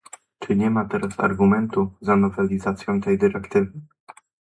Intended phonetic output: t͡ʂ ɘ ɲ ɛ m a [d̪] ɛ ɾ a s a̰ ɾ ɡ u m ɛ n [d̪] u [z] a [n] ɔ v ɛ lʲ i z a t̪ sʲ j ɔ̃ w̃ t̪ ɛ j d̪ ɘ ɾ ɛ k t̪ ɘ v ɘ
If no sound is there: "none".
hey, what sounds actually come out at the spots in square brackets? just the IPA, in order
t̪, t̪, z, n

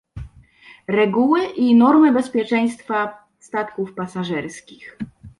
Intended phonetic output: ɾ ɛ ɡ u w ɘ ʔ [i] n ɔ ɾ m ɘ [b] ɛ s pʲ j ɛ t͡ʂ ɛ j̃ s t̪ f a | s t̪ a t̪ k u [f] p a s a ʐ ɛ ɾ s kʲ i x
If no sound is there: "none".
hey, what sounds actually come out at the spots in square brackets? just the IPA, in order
i, b, f

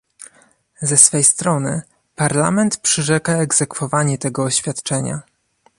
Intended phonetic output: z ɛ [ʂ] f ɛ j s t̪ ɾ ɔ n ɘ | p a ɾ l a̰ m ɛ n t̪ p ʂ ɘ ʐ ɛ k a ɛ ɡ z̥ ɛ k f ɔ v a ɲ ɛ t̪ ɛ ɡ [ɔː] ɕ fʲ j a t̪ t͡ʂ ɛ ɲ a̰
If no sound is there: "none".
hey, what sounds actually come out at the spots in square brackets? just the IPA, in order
s, ɔː

